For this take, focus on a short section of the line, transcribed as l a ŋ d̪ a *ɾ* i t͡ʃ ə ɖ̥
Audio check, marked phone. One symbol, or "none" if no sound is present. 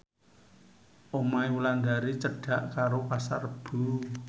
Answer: ɾ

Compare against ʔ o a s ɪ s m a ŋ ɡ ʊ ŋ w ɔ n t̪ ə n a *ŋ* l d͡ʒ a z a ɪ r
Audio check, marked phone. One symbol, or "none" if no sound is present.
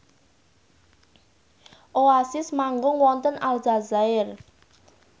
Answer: none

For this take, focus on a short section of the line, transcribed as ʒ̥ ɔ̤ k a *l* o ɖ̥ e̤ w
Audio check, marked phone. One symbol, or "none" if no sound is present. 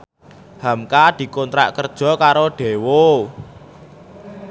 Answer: ɾ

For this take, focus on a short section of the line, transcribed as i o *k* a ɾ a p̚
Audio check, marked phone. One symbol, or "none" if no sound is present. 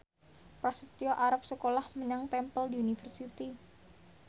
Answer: ʔ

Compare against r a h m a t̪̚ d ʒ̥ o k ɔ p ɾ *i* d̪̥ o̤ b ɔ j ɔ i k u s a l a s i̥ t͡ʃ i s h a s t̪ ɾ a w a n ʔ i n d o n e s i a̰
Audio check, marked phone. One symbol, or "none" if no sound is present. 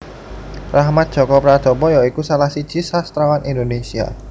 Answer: a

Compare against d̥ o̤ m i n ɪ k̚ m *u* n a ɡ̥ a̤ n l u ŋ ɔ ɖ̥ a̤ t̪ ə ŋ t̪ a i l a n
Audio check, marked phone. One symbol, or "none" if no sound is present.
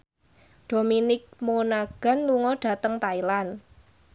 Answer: o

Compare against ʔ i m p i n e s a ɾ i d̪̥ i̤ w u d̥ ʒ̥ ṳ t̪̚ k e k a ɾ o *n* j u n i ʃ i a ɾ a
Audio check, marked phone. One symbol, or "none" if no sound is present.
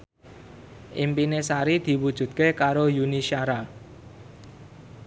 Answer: none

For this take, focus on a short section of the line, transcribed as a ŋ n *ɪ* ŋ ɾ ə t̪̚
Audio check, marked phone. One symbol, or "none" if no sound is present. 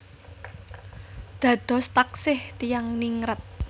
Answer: i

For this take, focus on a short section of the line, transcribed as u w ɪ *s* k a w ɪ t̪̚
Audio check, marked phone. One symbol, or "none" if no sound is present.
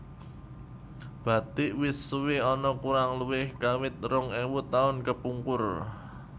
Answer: h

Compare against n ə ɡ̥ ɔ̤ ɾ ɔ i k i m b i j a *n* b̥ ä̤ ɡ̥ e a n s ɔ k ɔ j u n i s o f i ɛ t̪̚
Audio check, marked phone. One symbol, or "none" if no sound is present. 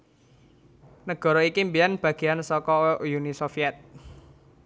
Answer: n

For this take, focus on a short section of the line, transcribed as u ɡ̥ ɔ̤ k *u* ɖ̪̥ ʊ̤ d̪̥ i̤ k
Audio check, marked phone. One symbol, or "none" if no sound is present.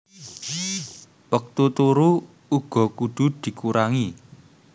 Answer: u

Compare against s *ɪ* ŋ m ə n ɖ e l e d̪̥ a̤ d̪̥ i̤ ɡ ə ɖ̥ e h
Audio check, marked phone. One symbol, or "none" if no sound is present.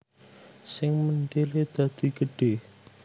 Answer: ɪ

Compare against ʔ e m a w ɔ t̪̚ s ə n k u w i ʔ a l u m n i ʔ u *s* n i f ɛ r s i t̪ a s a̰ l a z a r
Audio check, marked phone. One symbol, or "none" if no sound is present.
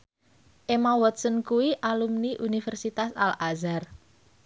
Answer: none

